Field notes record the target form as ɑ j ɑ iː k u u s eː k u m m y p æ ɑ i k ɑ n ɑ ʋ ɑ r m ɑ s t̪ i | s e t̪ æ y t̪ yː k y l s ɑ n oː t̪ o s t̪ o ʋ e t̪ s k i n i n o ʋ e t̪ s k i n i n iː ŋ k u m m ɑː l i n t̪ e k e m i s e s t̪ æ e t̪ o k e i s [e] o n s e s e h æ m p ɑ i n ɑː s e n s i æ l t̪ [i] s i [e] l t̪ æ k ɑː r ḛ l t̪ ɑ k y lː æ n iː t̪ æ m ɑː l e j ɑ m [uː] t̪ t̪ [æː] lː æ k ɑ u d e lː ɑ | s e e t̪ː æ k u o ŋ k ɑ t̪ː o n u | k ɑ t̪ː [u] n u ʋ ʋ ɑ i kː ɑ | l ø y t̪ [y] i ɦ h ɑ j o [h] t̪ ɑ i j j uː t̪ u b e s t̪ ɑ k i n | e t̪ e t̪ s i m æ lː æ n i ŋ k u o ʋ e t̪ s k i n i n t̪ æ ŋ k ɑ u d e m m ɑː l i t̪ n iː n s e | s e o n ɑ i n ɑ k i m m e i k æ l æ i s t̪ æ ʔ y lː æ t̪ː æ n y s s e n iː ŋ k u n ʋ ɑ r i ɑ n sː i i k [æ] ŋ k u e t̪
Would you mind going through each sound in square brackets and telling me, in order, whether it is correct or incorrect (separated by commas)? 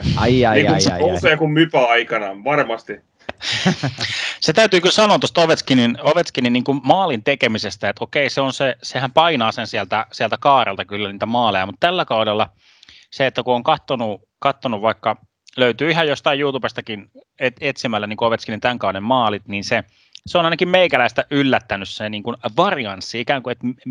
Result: correct, incorrect, incorrect, incorrect, incorrect, incorrect, incorrect, incorrect, incorrect